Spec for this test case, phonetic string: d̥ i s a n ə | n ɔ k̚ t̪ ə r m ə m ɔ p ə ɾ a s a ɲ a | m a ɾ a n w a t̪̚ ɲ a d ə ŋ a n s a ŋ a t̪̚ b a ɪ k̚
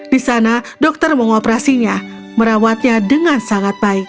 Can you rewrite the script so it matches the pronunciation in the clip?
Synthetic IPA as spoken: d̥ i s a n a | d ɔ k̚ t̪ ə r m ə ŋ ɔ p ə ɾ a s i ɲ a | m ə ɾ a w a t̪̚ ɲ a d ə ŋ a n s a ŋ a t̪̚ b a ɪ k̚